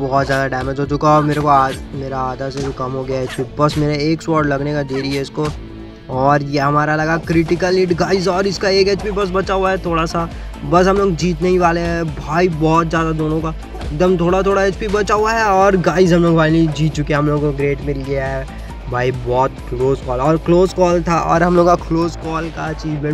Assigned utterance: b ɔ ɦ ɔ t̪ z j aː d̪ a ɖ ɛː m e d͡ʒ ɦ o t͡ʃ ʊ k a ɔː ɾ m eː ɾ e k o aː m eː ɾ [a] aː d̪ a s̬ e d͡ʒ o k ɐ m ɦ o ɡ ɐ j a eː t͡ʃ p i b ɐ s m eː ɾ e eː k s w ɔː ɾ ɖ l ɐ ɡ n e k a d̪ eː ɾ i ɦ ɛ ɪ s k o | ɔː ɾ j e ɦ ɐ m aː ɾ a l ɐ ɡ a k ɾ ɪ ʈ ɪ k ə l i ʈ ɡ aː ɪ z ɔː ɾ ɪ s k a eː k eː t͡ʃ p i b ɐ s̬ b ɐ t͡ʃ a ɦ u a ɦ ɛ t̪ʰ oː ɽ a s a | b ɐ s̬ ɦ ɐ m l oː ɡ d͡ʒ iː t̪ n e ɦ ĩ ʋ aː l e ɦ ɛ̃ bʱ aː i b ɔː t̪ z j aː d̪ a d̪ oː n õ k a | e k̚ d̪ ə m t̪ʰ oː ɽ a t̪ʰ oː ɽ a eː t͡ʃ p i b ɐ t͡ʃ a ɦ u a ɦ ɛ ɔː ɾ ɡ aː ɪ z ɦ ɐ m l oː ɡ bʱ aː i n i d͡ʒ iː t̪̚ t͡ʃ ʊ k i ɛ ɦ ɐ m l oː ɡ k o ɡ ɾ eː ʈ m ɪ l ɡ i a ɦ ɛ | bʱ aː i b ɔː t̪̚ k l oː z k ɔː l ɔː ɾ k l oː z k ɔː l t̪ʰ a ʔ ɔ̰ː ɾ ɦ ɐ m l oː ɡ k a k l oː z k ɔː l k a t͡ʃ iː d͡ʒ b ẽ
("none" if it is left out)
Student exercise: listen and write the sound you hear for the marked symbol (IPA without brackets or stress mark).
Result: a